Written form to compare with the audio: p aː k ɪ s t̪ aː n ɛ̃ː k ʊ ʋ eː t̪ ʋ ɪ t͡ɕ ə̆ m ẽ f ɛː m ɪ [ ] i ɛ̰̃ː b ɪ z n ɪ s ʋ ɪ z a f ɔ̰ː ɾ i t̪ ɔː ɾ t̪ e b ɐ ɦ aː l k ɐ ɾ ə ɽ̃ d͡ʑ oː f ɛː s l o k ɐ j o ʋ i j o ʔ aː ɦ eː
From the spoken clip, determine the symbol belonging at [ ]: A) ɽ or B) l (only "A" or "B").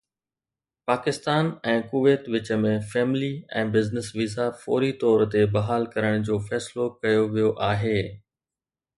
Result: B